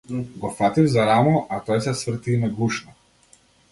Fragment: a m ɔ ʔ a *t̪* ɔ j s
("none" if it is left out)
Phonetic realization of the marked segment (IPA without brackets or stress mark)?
t̪